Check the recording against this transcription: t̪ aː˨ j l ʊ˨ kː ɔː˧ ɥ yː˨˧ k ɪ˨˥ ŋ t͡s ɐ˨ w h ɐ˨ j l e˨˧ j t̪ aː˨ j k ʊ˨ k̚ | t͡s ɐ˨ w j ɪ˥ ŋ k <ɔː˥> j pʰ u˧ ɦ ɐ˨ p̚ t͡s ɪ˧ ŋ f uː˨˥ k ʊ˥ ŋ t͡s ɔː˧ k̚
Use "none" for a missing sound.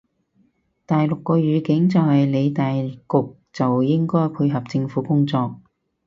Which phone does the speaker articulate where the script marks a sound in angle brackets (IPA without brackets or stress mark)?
ɔː˥